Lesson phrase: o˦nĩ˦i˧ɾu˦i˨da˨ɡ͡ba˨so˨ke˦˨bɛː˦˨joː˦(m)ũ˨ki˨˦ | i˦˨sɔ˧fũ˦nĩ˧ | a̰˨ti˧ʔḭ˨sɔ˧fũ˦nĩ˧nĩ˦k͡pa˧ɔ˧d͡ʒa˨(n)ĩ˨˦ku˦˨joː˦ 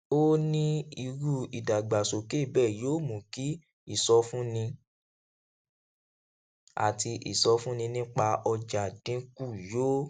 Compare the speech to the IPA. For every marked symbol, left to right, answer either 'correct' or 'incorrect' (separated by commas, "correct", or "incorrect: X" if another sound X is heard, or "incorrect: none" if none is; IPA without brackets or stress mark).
correct, incorrect: d